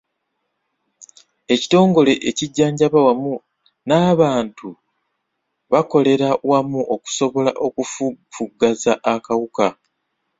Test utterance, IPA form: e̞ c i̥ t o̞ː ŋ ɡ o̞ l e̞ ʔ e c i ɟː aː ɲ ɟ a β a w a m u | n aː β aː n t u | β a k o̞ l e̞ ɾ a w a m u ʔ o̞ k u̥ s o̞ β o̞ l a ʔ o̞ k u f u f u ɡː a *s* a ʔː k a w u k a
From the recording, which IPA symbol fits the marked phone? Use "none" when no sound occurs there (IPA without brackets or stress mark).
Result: z